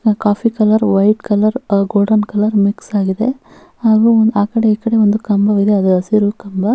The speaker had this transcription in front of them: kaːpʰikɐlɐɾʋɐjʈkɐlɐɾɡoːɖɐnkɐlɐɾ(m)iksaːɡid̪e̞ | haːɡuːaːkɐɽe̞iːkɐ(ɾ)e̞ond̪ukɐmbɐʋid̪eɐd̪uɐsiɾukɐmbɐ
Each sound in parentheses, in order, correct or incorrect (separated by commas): correct, incorrect